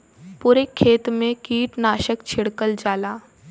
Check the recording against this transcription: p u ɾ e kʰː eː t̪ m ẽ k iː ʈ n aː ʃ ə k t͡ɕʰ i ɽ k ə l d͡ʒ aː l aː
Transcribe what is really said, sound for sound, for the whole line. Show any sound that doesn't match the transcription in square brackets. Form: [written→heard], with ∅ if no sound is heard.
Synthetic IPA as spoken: p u ɾ e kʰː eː t̪ m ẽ k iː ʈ n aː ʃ ə k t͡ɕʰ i ɽ k ə l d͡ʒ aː l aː